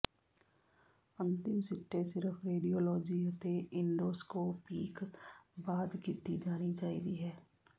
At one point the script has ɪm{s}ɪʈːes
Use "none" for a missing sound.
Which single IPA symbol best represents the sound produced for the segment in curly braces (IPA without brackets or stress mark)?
s